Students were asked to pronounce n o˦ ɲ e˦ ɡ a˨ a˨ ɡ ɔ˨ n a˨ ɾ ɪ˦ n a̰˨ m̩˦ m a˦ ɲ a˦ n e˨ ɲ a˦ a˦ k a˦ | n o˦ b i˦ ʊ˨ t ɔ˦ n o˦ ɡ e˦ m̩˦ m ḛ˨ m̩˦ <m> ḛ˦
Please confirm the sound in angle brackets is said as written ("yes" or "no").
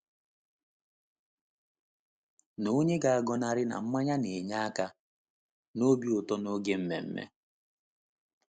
yes